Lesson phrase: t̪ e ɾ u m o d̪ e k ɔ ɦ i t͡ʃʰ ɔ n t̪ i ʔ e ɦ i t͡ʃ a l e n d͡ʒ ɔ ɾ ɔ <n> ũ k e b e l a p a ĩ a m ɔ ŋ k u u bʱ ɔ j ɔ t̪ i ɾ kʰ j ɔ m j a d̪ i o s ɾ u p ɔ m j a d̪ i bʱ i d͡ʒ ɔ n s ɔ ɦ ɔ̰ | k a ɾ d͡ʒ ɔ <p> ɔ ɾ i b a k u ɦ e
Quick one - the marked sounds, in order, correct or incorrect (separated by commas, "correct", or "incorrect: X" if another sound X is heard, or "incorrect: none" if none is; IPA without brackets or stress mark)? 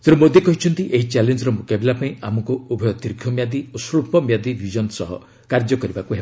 incorrect: m, incorrect: k